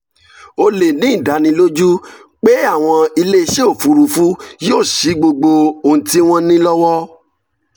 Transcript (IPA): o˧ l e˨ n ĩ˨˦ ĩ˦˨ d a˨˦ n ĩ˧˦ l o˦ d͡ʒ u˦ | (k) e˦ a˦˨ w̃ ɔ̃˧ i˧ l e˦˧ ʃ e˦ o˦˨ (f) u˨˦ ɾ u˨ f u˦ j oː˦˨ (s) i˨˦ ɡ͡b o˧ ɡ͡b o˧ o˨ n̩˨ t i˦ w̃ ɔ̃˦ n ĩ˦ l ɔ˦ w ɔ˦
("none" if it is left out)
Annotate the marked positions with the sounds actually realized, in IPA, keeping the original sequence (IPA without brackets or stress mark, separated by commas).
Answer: k͡p, f, ʃ